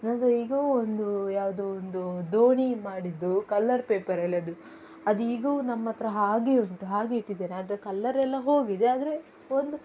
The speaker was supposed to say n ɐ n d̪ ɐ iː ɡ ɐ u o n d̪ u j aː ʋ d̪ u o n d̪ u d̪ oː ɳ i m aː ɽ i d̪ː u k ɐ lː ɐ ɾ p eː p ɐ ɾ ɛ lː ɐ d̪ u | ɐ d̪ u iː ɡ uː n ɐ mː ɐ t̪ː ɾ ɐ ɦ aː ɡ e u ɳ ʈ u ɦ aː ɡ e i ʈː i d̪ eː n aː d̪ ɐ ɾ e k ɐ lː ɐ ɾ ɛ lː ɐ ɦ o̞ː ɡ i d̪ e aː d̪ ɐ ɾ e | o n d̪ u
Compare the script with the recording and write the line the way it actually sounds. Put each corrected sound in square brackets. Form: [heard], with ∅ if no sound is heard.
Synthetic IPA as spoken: n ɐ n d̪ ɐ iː ɡ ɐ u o n d̪ u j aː ʋ d̪ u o n d̪ u d̪ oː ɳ i m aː ɽ i d̪ː u k ɐ lː ɐ ɾ p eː p ɐ ɾ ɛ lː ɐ d̪ u | ɐ d̪ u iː ɡ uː n ɐ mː ɐ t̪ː ɾ ɐ ɦ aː ɡ e u ɳ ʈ u ɦ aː ɡ e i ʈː i d̪ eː n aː d̪ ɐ ɾ e k ɐ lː ɐ ɾ ɛ lː ɐ ɦ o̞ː ɡ i d̪ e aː d̪ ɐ ɾ e | o n d̪ u